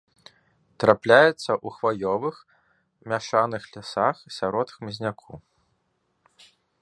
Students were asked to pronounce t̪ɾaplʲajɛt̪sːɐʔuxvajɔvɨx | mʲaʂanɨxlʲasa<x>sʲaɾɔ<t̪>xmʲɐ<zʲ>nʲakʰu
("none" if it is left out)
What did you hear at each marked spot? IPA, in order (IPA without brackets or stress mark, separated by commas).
x, t̪, zʲ